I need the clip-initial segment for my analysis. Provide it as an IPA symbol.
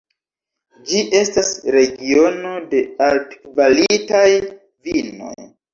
d͡ʒ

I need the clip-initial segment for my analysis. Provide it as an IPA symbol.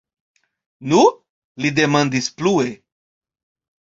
n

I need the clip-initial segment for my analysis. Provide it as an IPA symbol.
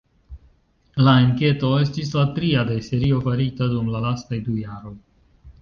l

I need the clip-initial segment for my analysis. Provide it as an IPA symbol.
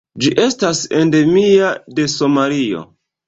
d͡ʒ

